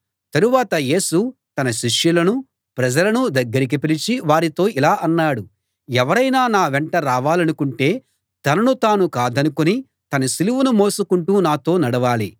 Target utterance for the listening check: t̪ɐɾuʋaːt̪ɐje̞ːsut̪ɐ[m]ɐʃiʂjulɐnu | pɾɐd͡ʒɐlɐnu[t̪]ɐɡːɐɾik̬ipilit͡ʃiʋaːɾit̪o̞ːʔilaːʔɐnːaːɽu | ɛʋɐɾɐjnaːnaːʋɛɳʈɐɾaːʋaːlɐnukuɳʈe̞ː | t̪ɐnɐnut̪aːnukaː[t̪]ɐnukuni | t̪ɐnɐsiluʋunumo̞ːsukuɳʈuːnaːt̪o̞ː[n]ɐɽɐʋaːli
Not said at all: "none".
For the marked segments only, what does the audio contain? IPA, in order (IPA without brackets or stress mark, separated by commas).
n, d̪, d̪, n